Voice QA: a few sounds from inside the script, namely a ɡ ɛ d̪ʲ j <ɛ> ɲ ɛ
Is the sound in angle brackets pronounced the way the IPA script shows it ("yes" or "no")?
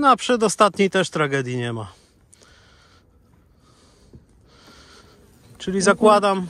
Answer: no